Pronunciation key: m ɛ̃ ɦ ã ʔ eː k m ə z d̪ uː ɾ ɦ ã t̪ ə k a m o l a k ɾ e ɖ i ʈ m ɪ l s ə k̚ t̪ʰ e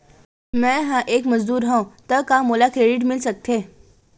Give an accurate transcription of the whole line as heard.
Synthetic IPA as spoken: m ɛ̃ ɦ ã ʔ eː k m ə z d̪ uː ɾ ɦ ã t̪ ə k a m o l a k ɾ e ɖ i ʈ m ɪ l s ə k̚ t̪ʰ e